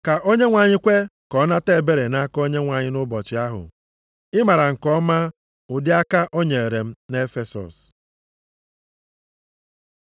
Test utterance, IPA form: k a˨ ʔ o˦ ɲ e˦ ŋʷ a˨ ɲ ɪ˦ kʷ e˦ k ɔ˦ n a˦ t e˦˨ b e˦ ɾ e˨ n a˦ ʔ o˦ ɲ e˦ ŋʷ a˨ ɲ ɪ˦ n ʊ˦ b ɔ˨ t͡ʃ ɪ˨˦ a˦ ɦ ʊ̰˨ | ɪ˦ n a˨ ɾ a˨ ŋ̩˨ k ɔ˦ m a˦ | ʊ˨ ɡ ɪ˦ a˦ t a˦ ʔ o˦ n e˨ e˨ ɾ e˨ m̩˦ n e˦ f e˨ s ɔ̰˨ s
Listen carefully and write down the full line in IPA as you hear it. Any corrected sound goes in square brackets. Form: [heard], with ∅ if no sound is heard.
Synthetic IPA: k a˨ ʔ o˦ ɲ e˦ ŋʷ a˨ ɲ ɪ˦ kʷ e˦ k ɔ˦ n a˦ t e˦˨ b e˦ ɾ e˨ n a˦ [k] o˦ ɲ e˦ ŋʷ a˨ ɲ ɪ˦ n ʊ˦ b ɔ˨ t͡ʃ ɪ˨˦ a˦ ɦ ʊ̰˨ | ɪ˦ [m] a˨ ɾ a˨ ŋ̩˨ k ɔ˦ m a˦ | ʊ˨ [d] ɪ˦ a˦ [k] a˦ ʔ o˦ [ɲ] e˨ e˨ ɾ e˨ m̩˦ n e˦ f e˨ s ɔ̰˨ s